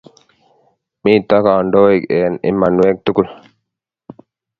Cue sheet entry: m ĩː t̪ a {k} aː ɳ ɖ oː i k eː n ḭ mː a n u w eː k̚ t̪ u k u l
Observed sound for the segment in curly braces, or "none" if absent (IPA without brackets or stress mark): k